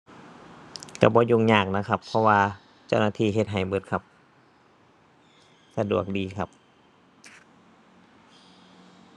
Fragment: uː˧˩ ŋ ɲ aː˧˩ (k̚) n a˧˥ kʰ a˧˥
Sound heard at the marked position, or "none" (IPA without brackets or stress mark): k̚